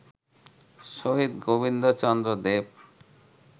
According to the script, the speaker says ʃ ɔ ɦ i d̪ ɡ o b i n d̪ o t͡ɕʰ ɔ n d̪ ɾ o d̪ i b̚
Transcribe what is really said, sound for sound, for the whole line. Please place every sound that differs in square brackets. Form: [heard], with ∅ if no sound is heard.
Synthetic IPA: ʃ [o] ɦ i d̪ ɡ o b i n d̪ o [t͡ɕ] ɔ n d̪ ɾ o d̪ [e] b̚